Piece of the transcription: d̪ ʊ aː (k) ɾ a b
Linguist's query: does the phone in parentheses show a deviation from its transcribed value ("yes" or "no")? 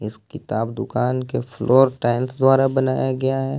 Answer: yes